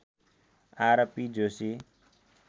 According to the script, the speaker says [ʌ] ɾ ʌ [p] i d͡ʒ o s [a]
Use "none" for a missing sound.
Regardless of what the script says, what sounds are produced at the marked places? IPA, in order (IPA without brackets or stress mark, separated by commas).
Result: a, p, i